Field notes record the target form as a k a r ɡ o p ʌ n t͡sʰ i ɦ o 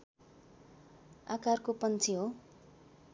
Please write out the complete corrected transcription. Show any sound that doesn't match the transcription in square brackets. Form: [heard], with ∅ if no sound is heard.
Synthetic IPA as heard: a k a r [k] o p ʌ n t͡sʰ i ɦ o